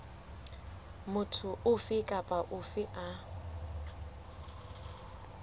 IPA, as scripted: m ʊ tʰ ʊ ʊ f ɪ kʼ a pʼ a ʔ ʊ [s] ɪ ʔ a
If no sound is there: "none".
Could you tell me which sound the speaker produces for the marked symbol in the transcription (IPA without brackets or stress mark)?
f